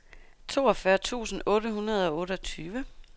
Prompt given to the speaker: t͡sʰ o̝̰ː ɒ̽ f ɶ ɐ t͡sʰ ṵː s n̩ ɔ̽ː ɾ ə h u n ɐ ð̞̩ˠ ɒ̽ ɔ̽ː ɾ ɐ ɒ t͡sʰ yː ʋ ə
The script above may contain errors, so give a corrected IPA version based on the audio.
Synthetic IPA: t͡sʰ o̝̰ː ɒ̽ f ɶ ɐ t͡sʰ ṵː s n̩ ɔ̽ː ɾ ə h u n ɐ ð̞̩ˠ ɒ̽ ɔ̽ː ɾ ə ɒ t͡sʰ yː ʋ ə